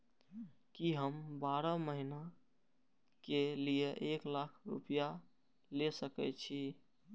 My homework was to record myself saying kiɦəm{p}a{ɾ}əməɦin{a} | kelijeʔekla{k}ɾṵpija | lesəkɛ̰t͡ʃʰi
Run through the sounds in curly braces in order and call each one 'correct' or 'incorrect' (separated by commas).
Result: incorrect, correct, correct, incorrect